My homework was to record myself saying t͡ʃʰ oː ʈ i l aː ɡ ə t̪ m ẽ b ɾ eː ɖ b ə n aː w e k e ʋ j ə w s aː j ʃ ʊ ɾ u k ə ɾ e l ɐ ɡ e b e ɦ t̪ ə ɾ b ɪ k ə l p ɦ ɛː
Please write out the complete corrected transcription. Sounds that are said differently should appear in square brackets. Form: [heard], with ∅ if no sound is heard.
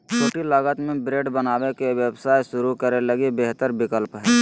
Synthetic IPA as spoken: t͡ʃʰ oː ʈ i l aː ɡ ə t̪ m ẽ b ɾ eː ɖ b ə n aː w e k e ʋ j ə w s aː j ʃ ʊ ɾ u k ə ɾ e l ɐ ɡ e b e ɦ t̪ ə ɾ b ɪ k ə l p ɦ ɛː